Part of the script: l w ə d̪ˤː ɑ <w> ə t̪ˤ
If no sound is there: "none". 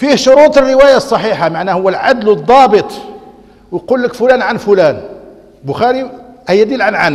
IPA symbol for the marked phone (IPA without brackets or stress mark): b